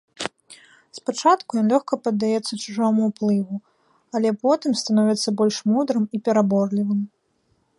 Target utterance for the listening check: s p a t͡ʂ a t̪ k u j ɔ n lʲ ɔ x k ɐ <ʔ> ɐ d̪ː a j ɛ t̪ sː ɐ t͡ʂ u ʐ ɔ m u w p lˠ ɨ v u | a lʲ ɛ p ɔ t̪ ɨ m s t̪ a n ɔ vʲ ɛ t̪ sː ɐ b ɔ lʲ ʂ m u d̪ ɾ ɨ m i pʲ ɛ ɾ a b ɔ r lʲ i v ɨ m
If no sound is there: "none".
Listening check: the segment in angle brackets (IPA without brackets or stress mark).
p